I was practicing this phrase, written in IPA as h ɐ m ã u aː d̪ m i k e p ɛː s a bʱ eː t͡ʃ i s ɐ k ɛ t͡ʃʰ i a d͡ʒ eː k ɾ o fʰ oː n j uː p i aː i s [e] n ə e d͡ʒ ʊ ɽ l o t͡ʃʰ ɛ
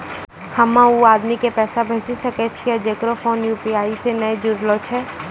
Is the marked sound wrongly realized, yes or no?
no